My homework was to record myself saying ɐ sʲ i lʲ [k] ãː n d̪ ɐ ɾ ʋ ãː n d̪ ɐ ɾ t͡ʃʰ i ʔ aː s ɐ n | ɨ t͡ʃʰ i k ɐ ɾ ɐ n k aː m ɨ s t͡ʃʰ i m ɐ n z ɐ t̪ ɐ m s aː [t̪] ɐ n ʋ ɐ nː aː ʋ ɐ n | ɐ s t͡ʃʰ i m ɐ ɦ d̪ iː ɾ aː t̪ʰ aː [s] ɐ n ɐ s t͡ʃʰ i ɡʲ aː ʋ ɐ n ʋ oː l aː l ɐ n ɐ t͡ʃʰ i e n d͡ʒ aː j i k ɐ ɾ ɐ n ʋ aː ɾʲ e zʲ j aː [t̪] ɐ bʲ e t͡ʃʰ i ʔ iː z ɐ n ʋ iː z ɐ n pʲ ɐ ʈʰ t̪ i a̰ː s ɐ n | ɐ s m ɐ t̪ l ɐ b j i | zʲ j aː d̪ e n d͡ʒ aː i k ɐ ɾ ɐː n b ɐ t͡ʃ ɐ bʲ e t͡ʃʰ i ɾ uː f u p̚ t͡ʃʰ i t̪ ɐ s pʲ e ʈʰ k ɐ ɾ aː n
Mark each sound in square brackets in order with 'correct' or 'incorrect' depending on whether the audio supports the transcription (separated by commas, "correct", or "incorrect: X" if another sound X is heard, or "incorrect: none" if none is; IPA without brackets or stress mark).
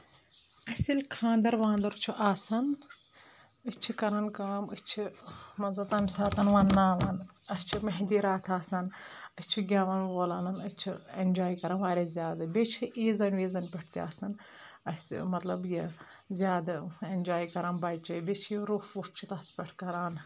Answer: incorrect: kʰ, correct, correct, incorrect: d̪